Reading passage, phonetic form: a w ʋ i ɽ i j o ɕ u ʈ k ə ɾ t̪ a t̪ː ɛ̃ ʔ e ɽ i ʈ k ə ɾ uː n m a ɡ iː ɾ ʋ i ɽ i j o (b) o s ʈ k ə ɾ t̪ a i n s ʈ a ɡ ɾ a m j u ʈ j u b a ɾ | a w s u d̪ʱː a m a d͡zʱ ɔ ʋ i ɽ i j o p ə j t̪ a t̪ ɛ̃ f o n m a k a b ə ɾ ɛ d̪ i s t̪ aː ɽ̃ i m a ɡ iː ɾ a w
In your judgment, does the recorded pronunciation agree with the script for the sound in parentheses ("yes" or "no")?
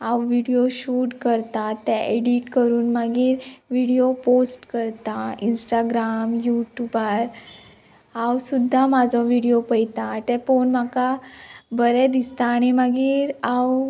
no